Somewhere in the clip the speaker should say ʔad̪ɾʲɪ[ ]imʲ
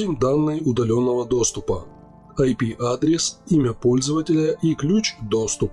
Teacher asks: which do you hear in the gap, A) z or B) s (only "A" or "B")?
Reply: B